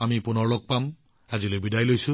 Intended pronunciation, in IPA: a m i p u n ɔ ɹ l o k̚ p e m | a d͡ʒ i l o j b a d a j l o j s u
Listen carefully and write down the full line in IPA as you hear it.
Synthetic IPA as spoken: a m i p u n ɔ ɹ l o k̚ p a m | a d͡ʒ i l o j b i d a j l o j s u